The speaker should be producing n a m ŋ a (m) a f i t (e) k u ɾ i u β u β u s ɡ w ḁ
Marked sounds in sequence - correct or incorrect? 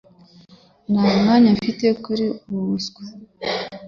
incorrect, correct

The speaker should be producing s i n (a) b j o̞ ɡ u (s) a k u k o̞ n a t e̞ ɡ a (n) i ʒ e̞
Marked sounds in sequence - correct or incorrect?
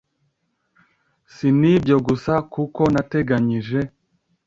incorrect, correct, incorrect

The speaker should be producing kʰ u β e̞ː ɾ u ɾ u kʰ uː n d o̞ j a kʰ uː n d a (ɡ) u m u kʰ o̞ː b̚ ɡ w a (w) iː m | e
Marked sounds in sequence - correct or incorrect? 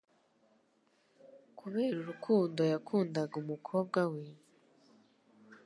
correct, correct

